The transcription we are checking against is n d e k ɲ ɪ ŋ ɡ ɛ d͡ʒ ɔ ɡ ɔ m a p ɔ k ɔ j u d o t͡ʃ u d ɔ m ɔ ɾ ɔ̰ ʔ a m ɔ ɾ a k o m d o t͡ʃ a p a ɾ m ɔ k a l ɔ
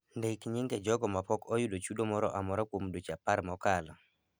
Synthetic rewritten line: n d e k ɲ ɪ ŋ ɡ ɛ d͡ʒ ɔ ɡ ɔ m a p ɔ k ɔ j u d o t͡ʃ u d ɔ m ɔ ɾ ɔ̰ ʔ a m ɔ ɾ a k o m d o t͡ʃ a p a ɾ m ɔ k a l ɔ